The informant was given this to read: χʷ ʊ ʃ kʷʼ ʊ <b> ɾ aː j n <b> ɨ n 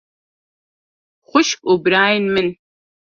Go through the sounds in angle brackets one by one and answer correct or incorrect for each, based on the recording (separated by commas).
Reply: correct, incorrect